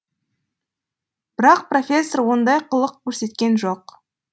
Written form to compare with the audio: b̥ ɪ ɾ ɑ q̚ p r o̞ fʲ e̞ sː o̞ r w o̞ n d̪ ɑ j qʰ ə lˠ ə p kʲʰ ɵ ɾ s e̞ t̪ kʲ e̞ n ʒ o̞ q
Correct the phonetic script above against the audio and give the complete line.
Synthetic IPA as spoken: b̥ ɪ ɾ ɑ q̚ p r o̞ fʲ e̞ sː o̞ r w o̞ n d̪ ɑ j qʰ ə lˠ ə q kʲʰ ɵ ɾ s e̞ t̪ kʲ e̞ n ʒ o̞ q